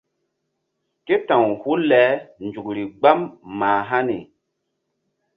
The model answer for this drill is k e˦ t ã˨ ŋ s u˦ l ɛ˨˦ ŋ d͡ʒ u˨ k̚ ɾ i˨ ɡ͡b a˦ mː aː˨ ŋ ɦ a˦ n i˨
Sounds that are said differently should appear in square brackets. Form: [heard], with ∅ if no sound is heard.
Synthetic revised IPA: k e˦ t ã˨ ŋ [h] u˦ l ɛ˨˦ [n] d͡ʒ u˨ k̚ ɾ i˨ ɡ͡b a˦ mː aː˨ [∅] ɦ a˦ n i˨